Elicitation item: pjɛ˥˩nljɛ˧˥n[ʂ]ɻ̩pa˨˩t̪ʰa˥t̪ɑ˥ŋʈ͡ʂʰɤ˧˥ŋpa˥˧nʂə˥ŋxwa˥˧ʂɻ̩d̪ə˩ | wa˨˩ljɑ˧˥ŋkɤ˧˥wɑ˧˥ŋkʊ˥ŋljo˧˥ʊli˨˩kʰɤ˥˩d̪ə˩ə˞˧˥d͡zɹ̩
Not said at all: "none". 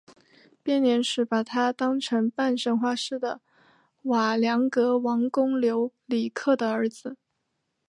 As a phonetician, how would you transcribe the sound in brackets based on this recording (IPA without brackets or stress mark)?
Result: ʂ